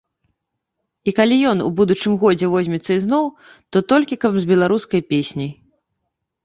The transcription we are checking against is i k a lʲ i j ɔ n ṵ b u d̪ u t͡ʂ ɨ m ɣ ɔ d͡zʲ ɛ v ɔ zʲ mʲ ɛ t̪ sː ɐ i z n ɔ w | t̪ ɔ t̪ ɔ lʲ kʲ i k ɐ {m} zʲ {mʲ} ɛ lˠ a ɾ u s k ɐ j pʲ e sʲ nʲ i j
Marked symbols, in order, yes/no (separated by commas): no, no